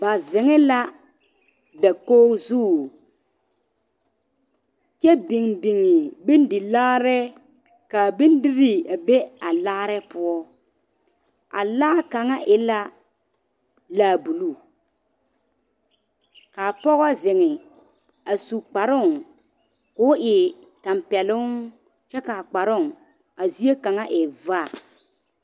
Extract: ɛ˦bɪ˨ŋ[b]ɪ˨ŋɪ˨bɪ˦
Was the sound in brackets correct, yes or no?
yes